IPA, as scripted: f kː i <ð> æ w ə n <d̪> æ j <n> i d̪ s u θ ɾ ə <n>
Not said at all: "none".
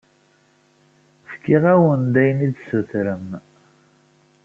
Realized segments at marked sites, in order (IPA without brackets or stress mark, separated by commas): ʁ, d̪, n, m